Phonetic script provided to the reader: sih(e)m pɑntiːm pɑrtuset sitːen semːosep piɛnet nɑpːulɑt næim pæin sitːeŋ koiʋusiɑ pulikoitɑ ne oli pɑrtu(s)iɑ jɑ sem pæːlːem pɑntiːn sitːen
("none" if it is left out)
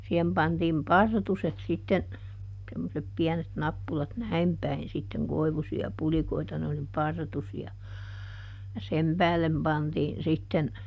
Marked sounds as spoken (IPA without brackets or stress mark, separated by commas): e, s